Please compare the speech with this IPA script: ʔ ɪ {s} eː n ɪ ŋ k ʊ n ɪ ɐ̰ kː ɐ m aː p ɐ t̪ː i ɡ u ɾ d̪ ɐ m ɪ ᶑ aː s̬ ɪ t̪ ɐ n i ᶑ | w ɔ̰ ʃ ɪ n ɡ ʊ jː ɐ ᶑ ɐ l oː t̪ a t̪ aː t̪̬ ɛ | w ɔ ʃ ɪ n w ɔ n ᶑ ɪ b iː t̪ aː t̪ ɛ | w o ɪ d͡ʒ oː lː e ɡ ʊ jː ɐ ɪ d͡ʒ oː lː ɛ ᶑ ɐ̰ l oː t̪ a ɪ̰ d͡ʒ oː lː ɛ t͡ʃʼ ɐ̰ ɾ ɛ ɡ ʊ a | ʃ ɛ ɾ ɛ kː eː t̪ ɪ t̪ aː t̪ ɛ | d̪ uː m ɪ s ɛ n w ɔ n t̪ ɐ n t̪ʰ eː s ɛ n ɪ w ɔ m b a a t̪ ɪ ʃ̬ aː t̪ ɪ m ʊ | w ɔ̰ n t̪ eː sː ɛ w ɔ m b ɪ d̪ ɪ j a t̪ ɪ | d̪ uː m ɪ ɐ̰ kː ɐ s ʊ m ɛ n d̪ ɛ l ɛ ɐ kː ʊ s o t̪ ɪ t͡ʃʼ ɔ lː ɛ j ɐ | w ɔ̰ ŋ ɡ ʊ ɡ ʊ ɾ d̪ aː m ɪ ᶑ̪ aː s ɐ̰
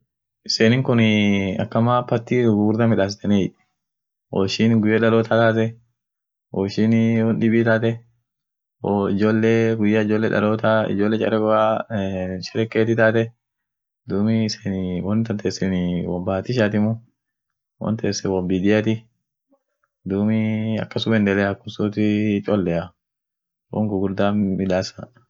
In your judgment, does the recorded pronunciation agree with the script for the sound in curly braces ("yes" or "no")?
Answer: yes